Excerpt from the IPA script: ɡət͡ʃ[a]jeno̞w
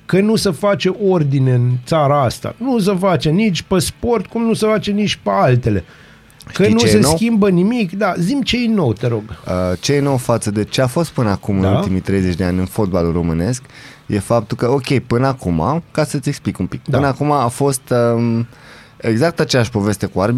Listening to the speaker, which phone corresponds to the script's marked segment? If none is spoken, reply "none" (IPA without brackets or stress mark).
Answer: e